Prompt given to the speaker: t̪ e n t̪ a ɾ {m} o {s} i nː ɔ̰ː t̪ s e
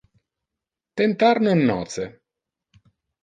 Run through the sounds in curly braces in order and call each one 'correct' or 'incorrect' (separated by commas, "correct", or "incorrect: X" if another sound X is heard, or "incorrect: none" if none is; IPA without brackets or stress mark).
incorrect: n, incorrect: none